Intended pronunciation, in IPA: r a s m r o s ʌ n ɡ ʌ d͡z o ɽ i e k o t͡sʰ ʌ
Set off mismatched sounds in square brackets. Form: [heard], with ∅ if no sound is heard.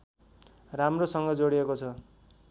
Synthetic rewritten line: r a [∅] m r o s ʌ [ŋ] ɡ ʌ d͡z o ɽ i e k o t͡sʰ ʌ